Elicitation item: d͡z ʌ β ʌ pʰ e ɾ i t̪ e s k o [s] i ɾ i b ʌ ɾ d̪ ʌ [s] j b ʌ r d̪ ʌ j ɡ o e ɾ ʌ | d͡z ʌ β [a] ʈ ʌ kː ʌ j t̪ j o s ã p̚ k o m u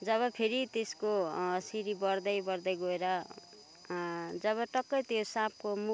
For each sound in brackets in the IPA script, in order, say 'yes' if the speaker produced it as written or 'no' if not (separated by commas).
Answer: yes, no, no